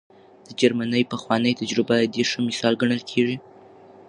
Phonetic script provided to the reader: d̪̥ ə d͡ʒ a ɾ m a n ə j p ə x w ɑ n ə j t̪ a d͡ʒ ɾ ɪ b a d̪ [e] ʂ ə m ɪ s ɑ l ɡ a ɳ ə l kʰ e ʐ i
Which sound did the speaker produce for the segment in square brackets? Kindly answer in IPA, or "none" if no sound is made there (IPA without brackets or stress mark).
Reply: e